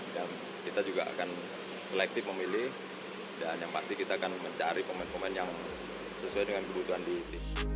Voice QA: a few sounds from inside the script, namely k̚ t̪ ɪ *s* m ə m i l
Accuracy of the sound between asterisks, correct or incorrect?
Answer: incorrect: f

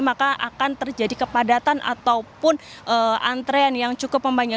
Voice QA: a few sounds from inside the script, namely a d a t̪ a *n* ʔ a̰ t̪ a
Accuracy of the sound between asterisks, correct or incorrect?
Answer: correct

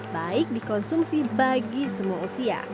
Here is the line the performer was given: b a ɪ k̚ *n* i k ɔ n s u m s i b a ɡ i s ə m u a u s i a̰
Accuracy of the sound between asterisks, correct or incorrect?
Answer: incorrect: d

